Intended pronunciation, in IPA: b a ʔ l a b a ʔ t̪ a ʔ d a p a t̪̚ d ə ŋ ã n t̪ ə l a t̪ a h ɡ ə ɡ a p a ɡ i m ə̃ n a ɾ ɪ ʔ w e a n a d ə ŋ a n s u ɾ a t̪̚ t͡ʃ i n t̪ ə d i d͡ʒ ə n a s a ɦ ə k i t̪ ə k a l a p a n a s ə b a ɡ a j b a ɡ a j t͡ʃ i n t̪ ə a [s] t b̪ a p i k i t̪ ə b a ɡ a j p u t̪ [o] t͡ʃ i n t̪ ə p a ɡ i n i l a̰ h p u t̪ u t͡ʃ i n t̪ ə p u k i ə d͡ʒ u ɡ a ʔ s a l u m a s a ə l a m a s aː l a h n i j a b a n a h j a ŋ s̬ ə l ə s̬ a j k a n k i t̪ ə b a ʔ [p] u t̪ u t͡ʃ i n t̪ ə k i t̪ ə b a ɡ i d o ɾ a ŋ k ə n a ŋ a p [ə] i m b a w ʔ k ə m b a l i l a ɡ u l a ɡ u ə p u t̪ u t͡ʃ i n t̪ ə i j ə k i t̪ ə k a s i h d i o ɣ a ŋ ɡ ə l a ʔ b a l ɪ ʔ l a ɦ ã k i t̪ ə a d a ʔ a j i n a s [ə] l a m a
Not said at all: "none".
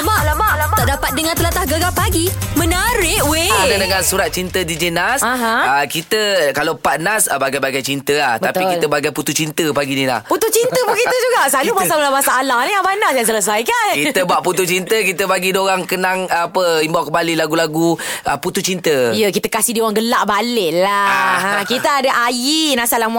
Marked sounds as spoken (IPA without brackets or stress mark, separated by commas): h, u, p, ə, a